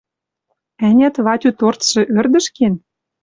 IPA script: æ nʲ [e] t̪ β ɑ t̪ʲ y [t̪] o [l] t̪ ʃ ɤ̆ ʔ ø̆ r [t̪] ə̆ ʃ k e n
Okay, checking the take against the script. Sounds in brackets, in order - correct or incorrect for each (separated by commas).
incorrect, correct, incorrect, incorrect